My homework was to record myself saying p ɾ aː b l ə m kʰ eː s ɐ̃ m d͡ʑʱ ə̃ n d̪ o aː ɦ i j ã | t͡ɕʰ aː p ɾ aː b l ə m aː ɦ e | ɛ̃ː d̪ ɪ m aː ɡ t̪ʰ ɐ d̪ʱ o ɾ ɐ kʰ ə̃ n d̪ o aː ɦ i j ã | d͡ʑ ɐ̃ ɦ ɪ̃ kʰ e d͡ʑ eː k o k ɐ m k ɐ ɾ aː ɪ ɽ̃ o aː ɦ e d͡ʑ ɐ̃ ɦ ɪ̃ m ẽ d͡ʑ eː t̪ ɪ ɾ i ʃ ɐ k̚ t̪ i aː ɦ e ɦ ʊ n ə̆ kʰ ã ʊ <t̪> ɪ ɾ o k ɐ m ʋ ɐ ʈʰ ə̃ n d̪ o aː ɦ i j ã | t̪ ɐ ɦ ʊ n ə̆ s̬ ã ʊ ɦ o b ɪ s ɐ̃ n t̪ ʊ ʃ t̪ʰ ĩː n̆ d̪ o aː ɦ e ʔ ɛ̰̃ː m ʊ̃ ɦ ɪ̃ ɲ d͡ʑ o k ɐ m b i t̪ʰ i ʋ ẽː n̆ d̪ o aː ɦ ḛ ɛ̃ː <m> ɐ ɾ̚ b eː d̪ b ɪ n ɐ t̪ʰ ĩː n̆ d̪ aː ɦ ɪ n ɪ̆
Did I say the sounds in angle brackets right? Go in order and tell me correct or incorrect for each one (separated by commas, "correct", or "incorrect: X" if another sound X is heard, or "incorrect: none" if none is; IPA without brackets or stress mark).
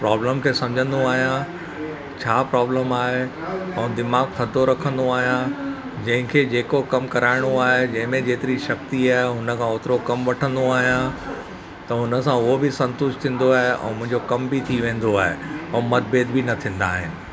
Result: correct, correct